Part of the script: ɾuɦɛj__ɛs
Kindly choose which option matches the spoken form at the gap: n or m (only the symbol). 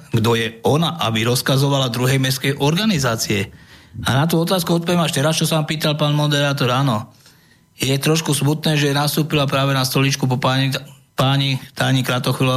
m